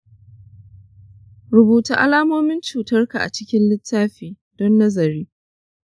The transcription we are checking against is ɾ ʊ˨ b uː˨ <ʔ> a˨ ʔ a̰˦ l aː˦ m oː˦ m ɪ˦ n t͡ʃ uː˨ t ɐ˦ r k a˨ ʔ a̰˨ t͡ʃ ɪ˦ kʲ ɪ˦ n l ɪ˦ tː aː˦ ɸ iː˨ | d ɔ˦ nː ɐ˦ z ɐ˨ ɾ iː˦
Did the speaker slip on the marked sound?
yes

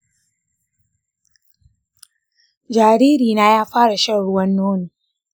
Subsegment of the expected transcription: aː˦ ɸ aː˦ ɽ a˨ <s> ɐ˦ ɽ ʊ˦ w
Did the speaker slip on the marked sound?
yes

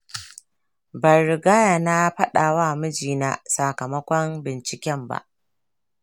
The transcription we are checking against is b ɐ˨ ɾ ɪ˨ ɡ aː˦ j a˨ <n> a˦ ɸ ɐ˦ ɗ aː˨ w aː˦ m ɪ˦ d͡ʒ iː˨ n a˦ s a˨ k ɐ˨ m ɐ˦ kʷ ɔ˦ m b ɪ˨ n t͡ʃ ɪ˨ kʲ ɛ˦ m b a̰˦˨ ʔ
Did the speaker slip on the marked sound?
no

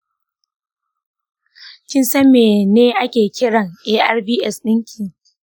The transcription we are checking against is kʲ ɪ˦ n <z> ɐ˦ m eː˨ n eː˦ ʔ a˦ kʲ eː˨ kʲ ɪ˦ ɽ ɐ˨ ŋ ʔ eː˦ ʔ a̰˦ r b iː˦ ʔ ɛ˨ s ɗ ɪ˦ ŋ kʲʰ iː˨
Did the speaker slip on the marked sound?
yes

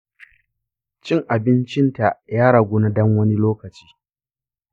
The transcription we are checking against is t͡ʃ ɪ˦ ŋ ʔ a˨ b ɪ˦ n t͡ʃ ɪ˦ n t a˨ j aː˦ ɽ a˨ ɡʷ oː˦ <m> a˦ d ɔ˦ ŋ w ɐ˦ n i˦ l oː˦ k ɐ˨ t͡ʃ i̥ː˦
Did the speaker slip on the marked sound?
yes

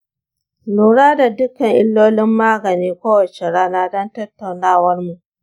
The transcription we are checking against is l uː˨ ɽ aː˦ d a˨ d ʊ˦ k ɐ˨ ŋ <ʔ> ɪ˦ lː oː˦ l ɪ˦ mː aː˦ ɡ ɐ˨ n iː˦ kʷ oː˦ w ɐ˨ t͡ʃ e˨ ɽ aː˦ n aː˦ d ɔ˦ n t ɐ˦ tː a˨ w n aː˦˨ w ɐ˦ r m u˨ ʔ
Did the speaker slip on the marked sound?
no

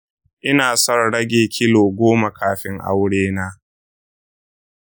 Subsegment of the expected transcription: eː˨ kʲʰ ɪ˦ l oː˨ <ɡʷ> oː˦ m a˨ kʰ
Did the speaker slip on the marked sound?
no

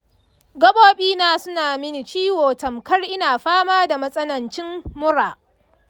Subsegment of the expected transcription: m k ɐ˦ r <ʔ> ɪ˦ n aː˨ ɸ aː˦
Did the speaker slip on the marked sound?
no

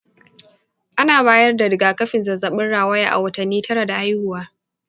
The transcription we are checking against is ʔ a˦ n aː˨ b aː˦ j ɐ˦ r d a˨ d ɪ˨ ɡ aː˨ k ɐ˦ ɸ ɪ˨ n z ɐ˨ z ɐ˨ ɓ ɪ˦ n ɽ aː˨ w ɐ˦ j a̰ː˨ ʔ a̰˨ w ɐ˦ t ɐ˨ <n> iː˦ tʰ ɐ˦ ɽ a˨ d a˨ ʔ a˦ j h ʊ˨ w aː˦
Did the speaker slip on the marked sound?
yes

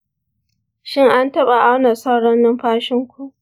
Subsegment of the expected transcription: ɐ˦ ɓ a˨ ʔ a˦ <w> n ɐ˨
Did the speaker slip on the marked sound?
no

